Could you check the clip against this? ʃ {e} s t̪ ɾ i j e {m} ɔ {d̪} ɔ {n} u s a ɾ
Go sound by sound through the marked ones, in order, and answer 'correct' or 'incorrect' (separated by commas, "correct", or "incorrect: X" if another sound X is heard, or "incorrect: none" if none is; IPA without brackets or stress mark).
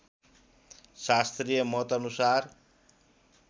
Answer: incorrect: a, correct, incorrect: t̪, correct